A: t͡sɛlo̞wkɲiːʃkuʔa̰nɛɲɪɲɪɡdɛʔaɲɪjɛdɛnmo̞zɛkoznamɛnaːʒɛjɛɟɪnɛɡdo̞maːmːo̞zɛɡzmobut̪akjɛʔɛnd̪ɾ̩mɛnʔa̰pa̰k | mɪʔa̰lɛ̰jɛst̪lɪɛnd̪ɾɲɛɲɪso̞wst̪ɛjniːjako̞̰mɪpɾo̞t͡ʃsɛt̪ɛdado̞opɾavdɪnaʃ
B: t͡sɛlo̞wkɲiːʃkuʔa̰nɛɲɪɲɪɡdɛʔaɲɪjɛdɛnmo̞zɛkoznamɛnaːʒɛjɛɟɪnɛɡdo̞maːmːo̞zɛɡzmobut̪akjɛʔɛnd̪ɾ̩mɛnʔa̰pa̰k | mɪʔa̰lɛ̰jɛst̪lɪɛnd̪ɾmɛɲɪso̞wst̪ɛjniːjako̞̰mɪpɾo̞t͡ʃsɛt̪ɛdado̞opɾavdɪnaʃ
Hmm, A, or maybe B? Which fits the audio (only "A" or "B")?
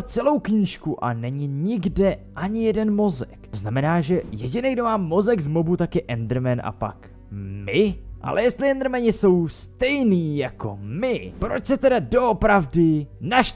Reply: B